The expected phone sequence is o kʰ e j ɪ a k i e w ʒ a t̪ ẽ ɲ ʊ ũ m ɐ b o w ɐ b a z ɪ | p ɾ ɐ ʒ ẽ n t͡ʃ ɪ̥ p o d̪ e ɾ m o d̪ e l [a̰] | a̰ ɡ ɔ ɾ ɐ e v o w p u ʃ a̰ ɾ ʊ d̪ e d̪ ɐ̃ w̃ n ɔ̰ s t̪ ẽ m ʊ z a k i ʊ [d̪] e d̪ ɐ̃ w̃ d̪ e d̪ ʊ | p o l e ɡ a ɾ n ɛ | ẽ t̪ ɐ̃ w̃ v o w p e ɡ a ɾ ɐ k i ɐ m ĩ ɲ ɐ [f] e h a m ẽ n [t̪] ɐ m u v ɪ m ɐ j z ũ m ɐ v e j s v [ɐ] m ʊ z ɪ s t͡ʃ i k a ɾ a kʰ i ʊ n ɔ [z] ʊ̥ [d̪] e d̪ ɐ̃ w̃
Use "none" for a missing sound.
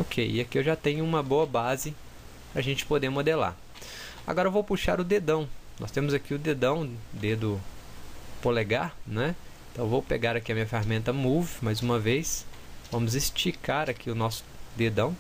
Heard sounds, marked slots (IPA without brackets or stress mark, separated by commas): a̰, d̪, f, t̪, ɐ̃, s, d̪